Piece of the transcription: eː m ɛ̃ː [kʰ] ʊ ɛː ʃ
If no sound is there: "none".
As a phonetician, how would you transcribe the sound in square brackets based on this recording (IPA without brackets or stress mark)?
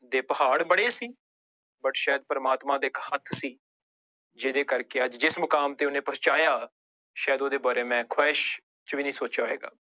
kʰ